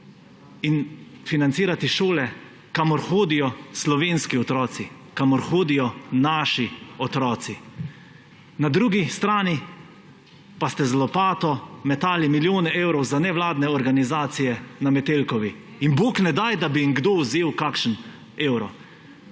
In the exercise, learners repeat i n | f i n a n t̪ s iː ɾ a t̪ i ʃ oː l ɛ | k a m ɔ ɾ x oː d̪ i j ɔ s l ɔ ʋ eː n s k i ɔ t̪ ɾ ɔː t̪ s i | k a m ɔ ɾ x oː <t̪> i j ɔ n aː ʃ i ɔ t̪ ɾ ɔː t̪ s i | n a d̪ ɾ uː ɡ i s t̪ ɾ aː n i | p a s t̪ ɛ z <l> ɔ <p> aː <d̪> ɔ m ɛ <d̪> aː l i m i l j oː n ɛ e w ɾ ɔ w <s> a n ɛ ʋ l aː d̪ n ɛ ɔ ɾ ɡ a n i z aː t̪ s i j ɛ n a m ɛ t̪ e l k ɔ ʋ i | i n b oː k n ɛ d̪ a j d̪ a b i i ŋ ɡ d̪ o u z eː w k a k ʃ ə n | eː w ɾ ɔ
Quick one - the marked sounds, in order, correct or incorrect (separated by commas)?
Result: incorrect, correct, correct, incorrect, incorrect, incorrect